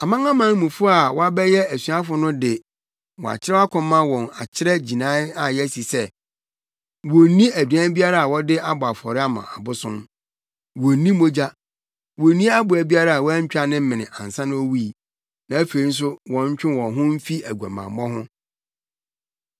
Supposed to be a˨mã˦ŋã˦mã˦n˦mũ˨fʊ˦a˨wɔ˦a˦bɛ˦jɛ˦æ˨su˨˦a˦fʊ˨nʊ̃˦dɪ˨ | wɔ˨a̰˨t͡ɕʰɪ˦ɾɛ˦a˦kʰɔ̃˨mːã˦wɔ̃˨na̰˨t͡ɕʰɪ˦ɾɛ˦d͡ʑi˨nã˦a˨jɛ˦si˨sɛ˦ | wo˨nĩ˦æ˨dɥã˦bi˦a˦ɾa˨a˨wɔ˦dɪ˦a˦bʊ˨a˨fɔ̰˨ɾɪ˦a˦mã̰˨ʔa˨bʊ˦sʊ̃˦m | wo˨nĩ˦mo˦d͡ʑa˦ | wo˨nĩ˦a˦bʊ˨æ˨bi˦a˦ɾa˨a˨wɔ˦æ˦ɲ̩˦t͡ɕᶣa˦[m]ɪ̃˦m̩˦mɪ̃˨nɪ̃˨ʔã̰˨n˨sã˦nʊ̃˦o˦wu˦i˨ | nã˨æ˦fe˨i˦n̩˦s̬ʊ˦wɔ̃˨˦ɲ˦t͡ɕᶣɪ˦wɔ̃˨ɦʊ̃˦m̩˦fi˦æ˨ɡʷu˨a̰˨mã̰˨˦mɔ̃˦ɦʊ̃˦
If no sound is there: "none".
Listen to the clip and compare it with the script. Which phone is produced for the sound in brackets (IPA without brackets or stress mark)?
n